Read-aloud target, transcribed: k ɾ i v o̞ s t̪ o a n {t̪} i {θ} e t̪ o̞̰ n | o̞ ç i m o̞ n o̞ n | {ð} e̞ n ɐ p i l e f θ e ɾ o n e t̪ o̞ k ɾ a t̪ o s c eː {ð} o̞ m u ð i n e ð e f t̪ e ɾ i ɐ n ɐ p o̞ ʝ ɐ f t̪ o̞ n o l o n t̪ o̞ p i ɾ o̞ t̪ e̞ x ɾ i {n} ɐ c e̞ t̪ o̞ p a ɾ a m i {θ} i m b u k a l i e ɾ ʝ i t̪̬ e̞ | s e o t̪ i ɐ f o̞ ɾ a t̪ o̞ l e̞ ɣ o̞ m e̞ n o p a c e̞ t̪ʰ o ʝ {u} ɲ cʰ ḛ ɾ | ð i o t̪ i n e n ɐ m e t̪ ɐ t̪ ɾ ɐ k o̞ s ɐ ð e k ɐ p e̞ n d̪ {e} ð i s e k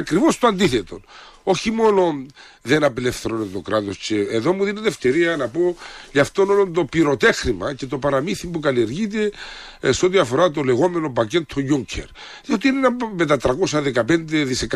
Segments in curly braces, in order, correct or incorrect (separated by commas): incorrect, correct, correct, correct, incorrect, correct, correct, correct